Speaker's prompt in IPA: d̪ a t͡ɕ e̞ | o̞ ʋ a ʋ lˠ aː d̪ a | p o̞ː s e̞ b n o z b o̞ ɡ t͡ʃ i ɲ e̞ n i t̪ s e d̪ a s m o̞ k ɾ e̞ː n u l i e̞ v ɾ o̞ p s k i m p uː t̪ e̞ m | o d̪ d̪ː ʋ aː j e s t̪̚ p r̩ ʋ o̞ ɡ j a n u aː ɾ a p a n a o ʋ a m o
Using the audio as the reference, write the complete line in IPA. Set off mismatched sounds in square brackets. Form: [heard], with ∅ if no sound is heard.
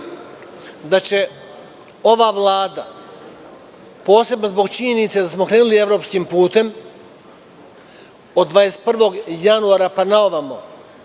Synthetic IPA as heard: d̪ a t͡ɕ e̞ | o̞ ʋ a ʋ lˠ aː d̪ a | p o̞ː s e̞ b n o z b o̞ ɡ t͡ʃ i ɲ e̞ n i t̪ s e d̪ a s m o̞ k ɾ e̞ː n u l i e̞ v ɾ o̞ p s k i m p uː t̪ e̞ m | o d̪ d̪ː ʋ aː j e s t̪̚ p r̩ ʋ o̞ ɡ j a n u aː ɾ a p a n a o ʋ a m o

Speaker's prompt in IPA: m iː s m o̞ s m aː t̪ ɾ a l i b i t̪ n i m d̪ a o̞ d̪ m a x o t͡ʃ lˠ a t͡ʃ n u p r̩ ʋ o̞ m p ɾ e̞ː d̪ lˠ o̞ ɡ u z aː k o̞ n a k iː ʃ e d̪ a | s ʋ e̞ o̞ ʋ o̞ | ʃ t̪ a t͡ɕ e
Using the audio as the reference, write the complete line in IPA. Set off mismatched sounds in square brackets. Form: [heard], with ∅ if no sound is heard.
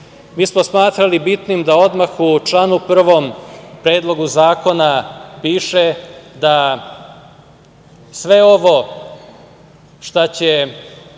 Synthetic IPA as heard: m iː s m o̞ s m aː t̪ ɾ a l i b i t̪ n i m d̪ a o̞ d̪ m a x [u] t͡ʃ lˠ a [∅] n u p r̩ ʋ o̞ m p ɾ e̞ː d̪ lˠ o̞ ɡ u z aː k o̞ n a [p] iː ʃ e d̪ a | s ʋ e̞ o̞ ʋ o̞ | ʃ t̪ a t͡ɕ e

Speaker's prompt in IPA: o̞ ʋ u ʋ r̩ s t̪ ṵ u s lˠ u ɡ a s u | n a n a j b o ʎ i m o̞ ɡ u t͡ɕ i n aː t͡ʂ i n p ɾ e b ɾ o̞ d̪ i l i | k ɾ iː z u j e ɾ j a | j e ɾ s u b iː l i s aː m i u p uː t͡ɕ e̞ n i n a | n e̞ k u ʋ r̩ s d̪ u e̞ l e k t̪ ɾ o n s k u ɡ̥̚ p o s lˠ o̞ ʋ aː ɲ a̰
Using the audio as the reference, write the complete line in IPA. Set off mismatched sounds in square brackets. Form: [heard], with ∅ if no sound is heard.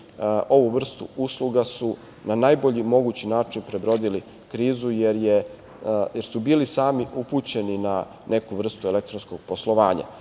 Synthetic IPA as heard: o̞ ʋ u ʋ r̩ s t̪ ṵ u s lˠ u ɡ a s u | n a n a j b o ʎ i m o̞ ɡ u t͡ɕ i n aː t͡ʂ i n p ɾ e b ɾ o̞ d̪ i l i | k ɾ iː z u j e ɾ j [e] | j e ɾ s u b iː l i s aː m i u p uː t͡ɕ e̞ n i n a | n e̞ k u ʋ r̩ s [t̪] u e̞ l e k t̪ ɾ o n s k [o] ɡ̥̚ p o s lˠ o̞ ʋ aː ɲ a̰

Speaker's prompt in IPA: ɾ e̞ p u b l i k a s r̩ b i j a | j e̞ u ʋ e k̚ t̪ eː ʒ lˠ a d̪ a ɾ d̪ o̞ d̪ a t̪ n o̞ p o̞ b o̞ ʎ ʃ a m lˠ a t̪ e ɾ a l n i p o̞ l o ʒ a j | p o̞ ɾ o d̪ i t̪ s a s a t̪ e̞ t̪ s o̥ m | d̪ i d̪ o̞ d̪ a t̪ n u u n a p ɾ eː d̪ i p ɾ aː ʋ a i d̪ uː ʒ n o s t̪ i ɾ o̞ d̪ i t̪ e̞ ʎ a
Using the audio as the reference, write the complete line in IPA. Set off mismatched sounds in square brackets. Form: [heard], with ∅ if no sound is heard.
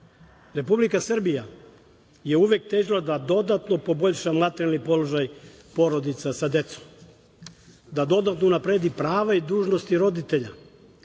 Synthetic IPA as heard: ɾ e̞ p u b l i k a s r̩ b i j a | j e̞ u ʋ e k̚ t̪ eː ʒ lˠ a d̪ a [∅] d̪ o̞ d̪ a t̪ n o̞ p o̞ b o̞ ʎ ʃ a m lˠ a t̪ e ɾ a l n i p o̞ l o ʒ a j | p o̞ ɾ o d̪ i t̪ s a s a [d̪] e̞ t̪ s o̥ m | d̪ [a] d̪ o̞ d̪ a t̪ n [o] u n a p ɾ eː d̪ i p ɾ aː ʋ a i d̪ uː ʒ n o s t̪ i ɾ o̞ d̪ i t̪ e̞ ʎ a

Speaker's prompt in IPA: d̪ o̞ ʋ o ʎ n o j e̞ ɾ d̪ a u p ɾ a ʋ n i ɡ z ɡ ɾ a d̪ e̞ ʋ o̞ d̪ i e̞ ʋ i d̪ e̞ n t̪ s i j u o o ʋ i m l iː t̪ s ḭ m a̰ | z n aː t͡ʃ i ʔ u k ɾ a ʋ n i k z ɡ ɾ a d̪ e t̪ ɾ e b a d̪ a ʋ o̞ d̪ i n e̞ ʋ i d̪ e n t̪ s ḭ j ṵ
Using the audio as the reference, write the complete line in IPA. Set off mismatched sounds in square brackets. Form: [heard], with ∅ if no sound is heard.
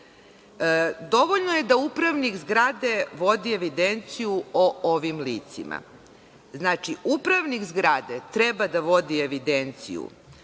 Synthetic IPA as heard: d̪ o̞ ʋ o ʎ n o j e̞ [∅] d̪ a u p ɾ a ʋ n i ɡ z ɡ ɾ a d̪ e̞ ʋ o̞ d̪ i e̞ ʋ i d̪ e̞ n t̪ s i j u o o ʋ i m l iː t̪ s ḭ m a̰ | z n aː t͡ʃ i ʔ u [p] ɾ a ʋ n i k z ɡ ɾ a d̪ e t̪ ɾ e b a d̪ a ʋ o̞ d̪ i [∅] e̞ ʋ i d̪ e n t̪ s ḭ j ṵ

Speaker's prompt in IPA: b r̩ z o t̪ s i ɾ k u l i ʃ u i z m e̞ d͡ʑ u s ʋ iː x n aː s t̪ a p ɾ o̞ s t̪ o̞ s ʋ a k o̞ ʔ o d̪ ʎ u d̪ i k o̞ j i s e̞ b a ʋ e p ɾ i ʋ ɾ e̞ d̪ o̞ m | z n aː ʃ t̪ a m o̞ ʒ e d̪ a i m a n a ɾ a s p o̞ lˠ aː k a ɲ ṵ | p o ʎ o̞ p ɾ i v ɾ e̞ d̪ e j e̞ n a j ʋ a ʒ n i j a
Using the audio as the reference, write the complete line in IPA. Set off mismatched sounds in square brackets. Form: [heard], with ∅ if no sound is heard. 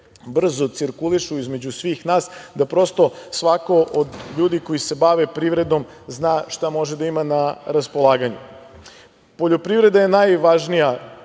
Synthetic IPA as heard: b r̩ z o t̪ s i ɾ k u l i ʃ u i z m e̞ d͡ʑ u s ʋ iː x n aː s [d̪] a p ɾ o̞ s t̪ o̞ s ʋ a k o̞ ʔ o d̪ ʎ [uː] d̪ i k o̞ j i s e̞ b a ʋ e p ɾ i ʋ ɾ e̞ d̪ o̞ m | z n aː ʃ t̪ a m o̞ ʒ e d̪ a i m a n a ɾ a s p o̞ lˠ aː [ɡ] a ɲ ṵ | p o ʎ o̞ p ɾ i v ɾ e̞ d̪ [a] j e̞ n a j ʋ a ʒ n i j a

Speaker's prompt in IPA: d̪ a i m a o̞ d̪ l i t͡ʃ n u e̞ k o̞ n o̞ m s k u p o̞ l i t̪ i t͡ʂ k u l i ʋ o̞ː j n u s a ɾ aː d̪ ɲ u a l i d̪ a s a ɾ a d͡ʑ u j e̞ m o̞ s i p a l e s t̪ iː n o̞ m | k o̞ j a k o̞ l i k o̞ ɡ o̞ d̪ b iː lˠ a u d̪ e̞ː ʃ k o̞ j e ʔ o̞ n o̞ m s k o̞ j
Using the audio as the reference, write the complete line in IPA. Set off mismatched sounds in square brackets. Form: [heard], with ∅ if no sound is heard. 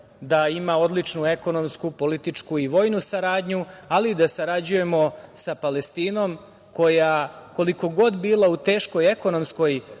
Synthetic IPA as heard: d̪ a i m a o̞ d̪ l i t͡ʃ n u e̞ k o̞ n o̞ m s k u p o̞ l i t̪ i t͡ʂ k u [∅] i ʋ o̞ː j n u s a ɾ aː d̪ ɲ u a l i d̪ a s a ɾ a d͡ʑ u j e̞ m o̞ s [a] p a l e s t̪ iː n o̞ m | k o̞ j a k o̞ l i k o̞ ɡ o̞ d̪ b iː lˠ a u [t̪] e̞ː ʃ k o̞ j e [k] o̞ n o̞ m s k o̞ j

